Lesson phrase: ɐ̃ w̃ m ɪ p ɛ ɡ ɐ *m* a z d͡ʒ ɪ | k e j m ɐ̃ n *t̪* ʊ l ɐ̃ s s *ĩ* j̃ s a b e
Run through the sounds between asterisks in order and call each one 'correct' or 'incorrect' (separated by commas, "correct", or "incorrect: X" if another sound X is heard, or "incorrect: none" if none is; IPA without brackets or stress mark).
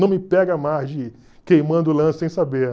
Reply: correct, incorrect: d̪, incorrect: ẽ